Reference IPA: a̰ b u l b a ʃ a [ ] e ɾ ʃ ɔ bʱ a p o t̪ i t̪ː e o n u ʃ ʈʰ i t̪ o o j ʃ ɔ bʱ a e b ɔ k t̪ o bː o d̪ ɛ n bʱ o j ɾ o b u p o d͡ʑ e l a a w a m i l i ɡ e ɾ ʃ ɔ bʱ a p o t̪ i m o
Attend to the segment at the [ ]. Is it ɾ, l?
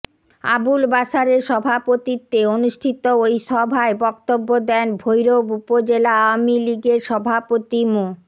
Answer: ɾ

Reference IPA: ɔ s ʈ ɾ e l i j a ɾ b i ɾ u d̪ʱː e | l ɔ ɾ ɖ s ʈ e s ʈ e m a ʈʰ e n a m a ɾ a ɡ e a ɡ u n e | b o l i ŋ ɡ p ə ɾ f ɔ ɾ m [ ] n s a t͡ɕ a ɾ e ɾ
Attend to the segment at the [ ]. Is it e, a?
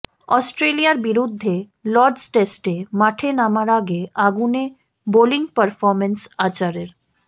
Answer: e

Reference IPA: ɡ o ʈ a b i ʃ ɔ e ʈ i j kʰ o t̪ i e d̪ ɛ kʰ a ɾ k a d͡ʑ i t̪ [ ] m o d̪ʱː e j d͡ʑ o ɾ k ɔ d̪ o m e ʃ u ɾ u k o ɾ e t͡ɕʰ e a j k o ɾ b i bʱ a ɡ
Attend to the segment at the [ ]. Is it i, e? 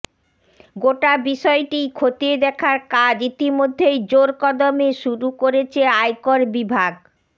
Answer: i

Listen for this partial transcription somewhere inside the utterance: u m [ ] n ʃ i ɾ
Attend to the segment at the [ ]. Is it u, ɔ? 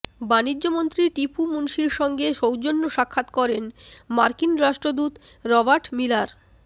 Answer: u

